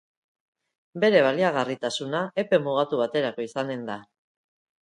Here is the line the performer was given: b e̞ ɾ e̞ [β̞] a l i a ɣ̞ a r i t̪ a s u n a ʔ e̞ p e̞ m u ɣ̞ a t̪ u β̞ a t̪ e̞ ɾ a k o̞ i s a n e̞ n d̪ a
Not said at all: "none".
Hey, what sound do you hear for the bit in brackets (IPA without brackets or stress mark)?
β̞